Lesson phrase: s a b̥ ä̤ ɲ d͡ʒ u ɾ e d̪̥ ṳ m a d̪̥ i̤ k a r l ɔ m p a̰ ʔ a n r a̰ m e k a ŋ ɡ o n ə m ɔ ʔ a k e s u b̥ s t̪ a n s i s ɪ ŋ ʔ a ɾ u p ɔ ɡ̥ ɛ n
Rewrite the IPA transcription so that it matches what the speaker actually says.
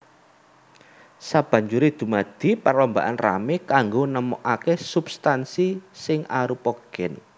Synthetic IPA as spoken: s a b̥ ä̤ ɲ d͡ʒ u ɾ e d̪̥ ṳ m a d̪̥ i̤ p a r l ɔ m b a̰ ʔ a n r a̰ m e k a ŋ ɡ o n ə m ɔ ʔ a k e s u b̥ s t̪ a n s i s ɪ ŋ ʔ a ɾ u p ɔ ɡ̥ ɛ n